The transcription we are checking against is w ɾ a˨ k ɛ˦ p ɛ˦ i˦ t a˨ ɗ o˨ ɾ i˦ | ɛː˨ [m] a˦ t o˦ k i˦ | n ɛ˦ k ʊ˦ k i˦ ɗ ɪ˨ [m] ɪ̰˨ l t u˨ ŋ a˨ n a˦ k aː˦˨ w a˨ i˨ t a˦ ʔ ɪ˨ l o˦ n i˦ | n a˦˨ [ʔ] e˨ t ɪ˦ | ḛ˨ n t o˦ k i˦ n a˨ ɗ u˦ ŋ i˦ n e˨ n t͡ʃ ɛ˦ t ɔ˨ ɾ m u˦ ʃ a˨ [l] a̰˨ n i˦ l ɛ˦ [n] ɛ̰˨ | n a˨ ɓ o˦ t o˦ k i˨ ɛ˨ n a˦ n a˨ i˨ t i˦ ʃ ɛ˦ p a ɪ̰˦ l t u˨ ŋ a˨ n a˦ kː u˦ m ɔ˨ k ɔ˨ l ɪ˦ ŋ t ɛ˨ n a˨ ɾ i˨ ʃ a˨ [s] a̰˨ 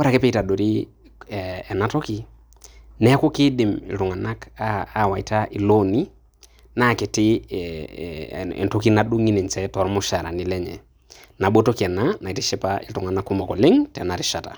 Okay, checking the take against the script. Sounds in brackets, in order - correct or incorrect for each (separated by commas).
incorrect, correct, incorrect, incorrect, incorrect, incorrect